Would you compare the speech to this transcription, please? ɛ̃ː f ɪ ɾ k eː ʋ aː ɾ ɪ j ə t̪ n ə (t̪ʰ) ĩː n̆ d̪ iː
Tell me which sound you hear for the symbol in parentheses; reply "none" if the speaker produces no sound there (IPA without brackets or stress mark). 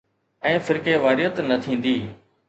t̪ʰ